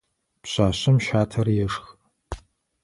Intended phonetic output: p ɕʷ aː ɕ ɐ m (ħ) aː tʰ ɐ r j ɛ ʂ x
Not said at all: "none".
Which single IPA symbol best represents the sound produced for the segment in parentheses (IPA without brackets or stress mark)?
ʃ